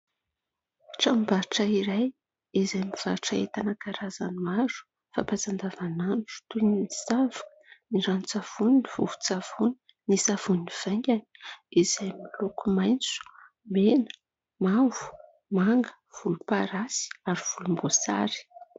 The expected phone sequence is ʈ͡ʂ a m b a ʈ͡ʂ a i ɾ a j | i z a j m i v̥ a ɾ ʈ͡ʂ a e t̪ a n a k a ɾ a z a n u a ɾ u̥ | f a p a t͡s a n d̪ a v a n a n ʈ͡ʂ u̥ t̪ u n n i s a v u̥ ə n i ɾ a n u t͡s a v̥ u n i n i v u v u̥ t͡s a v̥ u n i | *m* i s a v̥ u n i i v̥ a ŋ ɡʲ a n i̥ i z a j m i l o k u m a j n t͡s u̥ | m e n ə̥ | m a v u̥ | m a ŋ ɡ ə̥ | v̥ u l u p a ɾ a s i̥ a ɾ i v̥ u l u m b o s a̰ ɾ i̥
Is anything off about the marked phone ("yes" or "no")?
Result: yes